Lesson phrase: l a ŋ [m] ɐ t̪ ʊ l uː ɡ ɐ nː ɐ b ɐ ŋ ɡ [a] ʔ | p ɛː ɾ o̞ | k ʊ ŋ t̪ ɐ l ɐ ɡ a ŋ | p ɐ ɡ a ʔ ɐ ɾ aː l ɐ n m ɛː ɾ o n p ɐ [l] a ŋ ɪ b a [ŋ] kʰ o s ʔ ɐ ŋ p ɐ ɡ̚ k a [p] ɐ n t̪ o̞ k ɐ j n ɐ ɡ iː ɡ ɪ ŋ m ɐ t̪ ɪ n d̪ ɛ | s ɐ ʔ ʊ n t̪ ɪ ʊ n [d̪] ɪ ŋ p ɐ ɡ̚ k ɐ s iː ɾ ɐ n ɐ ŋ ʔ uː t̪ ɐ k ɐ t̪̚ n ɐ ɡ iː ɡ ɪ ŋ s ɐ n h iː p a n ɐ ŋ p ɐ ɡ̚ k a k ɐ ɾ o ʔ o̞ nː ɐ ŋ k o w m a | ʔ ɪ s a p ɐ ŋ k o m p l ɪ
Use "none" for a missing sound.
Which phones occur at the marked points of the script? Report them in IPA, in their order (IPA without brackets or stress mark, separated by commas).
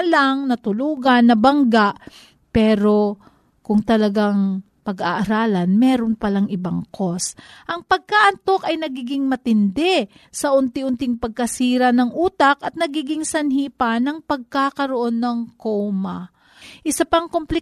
n, a, l, ŋ, ʔ, t̪